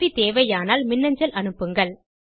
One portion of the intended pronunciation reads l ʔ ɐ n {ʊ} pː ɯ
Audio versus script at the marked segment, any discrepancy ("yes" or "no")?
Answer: yes